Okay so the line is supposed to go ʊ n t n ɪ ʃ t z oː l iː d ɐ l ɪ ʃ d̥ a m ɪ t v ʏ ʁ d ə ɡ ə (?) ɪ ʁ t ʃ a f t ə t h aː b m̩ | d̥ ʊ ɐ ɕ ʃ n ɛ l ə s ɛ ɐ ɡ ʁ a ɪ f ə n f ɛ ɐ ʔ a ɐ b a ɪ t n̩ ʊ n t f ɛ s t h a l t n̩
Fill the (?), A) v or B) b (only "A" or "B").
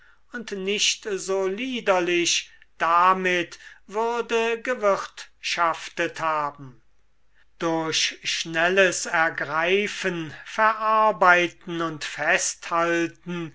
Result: A